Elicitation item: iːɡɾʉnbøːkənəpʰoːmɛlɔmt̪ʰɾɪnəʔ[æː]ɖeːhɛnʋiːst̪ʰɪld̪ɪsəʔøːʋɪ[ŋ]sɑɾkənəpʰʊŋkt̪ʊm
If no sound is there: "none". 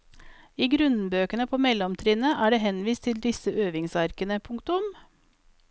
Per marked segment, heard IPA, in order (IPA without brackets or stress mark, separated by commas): æː, ŋ